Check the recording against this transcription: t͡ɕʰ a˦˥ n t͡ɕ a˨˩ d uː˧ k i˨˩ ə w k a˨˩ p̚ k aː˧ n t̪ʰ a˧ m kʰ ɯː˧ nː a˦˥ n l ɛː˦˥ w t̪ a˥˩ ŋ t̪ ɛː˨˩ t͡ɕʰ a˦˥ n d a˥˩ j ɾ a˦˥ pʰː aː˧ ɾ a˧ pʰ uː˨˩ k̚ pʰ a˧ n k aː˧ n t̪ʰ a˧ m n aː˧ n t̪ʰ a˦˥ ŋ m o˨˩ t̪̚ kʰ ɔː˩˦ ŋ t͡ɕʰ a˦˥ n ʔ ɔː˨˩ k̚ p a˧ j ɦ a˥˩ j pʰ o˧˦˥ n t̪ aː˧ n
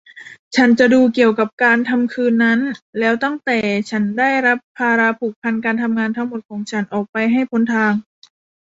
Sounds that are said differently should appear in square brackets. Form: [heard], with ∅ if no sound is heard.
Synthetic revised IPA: t͡ɕʰ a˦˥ n t͡ɕ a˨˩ d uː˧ k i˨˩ ə w k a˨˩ p̚ k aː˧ n t̪ʰ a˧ m kʰ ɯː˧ nː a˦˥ n l ɛː˦˥ w t̪ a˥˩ ŋ t̪ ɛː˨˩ t͡ɕʰ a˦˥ n d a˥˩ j ɾ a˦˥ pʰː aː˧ ɾ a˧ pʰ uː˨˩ k̚ pʰ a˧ n k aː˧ n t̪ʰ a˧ m [ŋ] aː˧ n t̪ʰ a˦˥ ŋ m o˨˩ t̪̚ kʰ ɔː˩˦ ŋ t͡ɕʰ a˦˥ n ʔ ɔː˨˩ k̚ p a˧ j ɦ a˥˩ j pʰ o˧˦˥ n [t̪ʰ] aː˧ [ŋ]